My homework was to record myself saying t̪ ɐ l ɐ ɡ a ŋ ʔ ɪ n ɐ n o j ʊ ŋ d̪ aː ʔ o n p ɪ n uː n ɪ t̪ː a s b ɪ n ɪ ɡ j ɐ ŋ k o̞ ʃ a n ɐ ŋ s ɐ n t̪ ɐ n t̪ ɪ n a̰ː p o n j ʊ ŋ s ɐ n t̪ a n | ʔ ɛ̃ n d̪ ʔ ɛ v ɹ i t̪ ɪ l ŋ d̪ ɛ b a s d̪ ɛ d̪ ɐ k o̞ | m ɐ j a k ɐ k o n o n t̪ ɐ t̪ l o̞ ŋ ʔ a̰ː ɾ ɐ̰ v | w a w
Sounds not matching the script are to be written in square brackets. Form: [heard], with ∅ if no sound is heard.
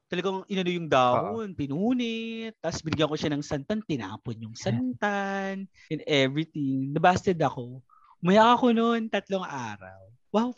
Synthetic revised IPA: t̪ ɐ l ɐ ɡ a ŋ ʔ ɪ n ɐ n o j ʊ ŋ d̪ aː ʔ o n p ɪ n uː n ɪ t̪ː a s b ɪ n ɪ ɡ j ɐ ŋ k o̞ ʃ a n ɐ ŋ s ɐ n t̪ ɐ n t̪ ɪ n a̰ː p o n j ʊ ŋ s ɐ n t̪ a n | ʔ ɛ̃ n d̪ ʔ ɛ v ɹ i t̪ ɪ [∅] ŋ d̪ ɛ b a s [t̪] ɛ d̪ ɐ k o̞ | m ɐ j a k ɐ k o n o n t̪ ɐ t̪ l o̞ ŋ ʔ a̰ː ɾ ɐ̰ [w] | w a w